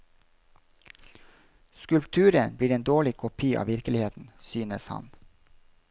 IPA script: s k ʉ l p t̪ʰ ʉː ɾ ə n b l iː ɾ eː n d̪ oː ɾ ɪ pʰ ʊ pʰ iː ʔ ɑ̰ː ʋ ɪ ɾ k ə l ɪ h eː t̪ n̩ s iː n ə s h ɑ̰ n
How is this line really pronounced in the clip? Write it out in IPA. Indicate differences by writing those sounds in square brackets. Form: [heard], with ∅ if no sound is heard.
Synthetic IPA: s k ʉ l p t̪ʰ ʉː ɾ ə n b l iː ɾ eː n d̪ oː [ɭ] ɪ [kʰ] ʊ pʰ iː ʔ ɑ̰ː ʋ ɪ ɾ k ə l ɪ h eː t̪ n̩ s [yː] n ə s h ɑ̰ n

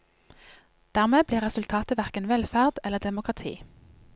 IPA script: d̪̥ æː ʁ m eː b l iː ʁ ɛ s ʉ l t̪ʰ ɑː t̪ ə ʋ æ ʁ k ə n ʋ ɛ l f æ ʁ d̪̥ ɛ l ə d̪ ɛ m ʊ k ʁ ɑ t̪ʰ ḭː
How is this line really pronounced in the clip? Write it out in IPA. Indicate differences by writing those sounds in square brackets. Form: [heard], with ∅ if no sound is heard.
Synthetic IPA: d̪̥ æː ʁ m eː b l iː ʁ ɛ s ʉ l t̪ʰ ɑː t̪ ə ʋ æ ʁ k ə n ʋ ɛ l f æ ʁ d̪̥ ɛ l ə d̪ ɛ m ʊ k ʁ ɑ t̪ʰ ḭː

